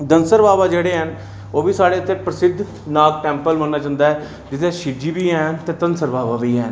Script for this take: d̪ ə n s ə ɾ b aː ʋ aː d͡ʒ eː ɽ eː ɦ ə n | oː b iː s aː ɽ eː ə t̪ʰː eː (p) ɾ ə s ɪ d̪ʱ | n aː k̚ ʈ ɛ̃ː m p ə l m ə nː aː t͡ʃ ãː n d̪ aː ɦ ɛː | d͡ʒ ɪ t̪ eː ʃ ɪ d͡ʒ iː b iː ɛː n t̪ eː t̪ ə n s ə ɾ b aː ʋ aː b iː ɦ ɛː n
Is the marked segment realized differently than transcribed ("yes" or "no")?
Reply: no